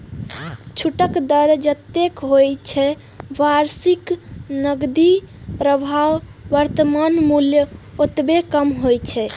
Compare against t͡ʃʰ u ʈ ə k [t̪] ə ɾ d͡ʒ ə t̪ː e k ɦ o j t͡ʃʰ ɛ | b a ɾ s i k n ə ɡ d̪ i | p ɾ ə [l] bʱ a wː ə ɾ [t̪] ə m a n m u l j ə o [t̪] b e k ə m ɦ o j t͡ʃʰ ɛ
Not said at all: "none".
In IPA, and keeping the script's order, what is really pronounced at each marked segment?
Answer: d̪, none, t̪, t̪

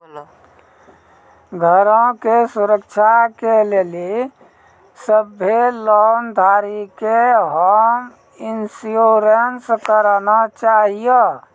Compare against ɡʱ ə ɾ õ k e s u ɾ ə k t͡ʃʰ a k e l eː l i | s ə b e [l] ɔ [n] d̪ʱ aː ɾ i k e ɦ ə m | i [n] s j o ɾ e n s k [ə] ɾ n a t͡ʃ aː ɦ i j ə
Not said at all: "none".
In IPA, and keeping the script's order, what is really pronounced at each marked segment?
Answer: l, n, n, ə

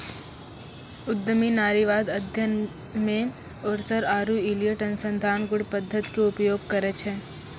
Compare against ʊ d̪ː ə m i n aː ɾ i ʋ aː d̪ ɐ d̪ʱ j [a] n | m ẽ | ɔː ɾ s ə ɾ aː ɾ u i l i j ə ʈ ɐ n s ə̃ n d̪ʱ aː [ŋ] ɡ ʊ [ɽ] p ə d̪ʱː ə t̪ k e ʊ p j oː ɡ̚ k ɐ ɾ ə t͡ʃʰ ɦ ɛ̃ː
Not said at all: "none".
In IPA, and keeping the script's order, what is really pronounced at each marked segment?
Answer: ə, n, ɽ

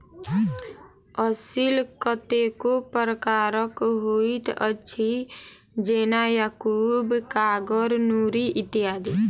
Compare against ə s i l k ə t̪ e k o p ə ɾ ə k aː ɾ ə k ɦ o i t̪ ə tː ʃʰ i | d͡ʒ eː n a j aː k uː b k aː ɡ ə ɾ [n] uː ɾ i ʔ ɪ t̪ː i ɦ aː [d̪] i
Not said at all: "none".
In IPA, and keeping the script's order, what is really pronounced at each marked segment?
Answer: n, d̪

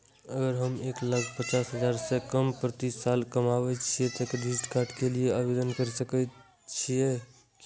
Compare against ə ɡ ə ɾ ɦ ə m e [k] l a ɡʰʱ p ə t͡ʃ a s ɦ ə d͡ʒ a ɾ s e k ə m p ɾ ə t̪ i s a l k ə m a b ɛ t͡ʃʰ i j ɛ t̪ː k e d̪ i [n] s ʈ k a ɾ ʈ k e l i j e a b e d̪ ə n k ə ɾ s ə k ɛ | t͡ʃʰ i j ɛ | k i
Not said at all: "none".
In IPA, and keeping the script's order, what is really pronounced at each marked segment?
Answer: k, none

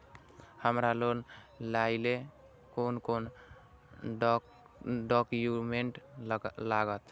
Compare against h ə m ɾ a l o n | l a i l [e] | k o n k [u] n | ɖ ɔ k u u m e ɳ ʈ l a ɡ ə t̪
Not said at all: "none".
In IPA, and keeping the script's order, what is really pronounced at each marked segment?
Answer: e, o

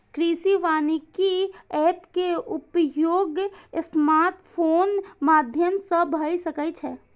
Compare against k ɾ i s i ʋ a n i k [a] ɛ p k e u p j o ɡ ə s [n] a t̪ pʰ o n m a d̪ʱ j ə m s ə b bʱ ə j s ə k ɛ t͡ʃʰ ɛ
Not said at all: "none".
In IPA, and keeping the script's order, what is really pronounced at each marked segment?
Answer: i, m

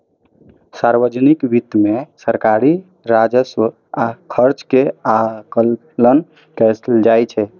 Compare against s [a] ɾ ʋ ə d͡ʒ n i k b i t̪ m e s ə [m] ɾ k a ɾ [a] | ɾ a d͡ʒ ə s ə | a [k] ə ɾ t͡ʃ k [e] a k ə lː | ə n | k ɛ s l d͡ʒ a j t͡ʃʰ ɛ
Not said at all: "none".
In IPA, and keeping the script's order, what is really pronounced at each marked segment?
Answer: a, none, i, kʰ, e

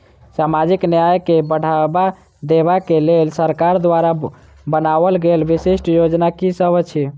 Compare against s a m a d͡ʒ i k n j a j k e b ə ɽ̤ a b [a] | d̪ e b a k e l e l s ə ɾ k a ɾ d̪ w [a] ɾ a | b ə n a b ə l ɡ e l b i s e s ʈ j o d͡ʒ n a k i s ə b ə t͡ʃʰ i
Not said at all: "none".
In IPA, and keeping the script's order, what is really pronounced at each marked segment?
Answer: a, a

